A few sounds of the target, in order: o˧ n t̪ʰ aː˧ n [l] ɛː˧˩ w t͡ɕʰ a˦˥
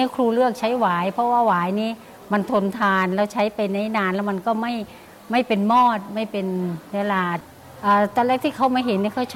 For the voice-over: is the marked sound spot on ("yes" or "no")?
yes